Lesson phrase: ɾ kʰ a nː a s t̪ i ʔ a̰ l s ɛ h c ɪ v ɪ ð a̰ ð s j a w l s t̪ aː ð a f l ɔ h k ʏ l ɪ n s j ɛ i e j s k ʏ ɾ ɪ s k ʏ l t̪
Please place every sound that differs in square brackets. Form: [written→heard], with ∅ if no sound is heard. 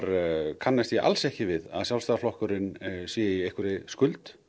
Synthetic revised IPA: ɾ kʰ a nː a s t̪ i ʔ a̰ l s ɛ h c ɪ v ɪ ð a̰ ð s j a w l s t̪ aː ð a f l ɔ h k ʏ [l→ɾ] ɪ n s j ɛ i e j [s→h] k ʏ ɾ ɪ s k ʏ l t̪